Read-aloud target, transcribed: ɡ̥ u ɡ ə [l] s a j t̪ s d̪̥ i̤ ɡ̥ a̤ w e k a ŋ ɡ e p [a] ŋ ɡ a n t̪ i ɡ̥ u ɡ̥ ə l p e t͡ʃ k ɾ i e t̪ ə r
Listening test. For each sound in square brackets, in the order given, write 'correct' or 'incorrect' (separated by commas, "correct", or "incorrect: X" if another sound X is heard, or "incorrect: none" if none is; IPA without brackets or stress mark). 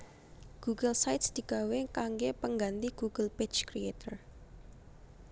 correct, incorrect: ə